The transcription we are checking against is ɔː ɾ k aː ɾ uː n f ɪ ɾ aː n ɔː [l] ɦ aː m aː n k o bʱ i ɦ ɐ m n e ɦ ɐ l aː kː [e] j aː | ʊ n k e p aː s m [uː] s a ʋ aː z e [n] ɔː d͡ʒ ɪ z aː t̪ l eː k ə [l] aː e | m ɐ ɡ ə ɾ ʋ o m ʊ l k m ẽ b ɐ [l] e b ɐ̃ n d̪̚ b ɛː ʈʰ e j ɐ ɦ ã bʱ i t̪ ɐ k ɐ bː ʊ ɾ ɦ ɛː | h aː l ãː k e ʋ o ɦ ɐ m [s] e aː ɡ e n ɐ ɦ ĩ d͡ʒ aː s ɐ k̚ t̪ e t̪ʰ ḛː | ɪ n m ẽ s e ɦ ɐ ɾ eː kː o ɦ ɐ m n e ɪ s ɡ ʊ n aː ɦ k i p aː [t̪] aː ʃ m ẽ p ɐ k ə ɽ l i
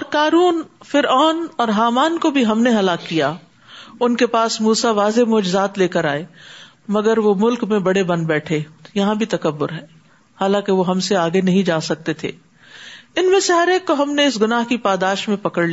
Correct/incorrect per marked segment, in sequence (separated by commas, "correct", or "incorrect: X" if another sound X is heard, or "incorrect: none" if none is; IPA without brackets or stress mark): incorrect: ɾ, incorrect: i, correct, incorrect: m, incorrect: ɾ, incorrect: ɽ, correct, incorrect: d̪